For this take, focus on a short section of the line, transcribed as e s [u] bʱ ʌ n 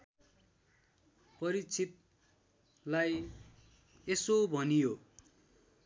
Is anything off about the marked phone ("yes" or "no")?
yes